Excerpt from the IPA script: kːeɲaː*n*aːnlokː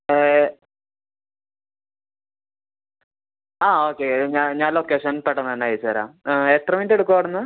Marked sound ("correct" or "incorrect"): incorrect